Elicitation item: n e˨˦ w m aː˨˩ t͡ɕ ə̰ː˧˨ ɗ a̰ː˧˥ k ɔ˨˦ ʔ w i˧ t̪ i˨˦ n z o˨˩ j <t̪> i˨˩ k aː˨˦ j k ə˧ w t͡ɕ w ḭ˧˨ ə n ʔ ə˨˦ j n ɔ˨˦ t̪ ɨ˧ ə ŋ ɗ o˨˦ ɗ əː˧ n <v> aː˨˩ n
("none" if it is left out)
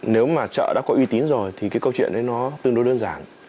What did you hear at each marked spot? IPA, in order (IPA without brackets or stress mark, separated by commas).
t̪ʰ, z